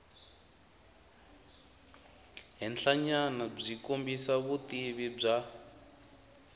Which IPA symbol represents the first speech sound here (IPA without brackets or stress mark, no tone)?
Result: ɦ